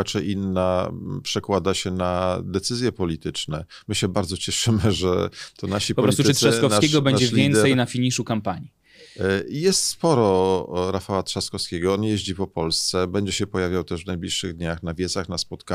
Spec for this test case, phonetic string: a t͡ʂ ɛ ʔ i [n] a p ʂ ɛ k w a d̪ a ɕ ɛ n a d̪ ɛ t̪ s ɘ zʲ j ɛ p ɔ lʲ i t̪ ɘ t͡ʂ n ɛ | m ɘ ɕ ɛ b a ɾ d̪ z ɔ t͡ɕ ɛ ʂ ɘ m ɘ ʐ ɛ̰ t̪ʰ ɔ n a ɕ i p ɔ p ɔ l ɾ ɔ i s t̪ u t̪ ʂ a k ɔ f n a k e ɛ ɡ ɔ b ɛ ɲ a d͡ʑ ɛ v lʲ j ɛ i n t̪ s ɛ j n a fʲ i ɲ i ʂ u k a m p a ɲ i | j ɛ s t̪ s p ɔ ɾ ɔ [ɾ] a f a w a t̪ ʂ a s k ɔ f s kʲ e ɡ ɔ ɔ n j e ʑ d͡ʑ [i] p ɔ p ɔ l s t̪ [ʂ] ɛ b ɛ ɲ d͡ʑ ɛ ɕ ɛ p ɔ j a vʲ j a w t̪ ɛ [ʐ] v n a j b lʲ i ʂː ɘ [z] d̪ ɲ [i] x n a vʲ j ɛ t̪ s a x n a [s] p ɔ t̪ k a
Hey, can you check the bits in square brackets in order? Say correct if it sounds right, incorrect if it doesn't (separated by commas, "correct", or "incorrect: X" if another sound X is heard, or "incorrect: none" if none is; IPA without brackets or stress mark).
incorrect: nː, correct, correct, incorrect: s, correct, incorrect: ɣ, incorrect: a, correct